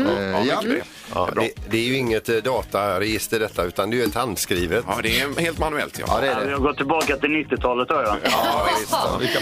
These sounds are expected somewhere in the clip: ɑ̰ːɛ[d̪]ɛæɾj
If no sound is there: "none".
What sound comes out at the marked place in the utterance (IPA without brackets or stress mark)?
d̪